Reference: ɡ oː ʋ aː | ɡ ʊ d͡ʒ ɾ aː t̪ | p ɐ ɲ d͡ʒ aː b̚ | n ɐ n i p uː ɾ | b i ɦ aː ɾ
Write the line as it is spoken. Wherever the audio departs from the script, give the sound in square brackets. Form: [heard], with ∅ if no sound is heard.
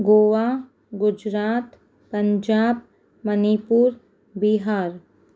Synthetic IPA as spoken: ɡ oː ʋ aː | ɡ ʊ d͡ʒ ɾ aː t̪ | p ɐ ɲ d͡ʒ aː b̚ | [m] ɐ n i p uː ɾ | b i ɦ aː ɾ